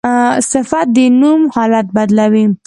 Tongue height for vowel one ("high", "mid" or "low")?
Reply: high